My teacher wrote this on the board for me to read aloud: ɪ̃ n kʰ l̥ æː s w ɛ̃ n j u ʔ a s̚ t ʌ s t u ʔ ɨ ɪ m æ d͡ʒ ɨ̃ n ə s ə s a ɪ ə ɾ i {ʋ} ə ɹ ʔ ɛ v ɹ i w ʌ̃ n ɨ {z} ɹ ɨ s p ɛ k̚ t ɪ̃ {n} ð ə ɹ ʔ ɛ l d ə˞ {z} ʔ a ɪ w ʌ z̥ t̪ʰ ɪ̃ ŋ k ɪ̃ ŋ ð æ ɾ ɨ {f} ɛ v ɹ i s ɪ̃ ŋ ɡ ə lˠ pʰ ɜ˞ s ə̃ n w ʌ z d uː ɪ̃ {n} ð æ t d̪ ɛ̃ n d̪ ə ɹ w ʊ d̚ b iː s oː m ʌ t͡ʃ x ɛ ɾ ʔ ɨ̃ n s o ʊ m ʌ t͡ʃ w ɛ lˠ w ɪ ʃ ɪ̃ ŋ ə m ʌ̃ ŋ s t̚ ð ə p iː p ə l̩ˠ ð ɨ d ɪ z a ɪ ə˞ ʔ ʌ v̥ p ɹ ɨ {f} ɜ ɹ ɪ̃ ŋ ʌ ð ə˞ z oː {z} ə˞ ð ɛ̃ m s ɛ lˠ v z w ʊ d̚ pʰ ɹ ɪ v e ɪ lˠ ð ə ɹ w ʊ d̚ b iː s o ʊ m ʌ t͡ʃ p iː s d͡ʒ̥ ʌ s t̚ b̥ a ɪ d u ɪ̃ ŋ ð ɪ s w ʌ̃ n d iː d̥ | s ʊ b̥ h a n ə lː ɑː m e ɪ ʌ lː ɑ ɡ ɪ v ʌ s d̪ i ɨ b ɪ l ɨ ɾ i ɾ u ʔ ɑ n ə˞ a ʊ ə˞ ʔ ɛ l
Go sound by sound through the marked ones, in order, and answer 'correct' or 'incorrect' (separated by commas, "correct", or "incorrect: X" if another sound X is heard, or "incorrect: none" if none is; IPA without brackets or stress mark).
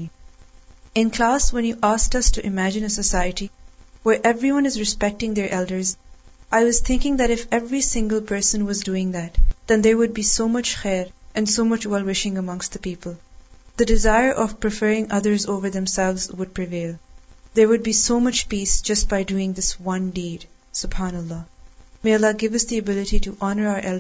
incorrect: w, correct, incorrect: ŋ, correct, correct, incorrect: ŋ, correct, incorrect: v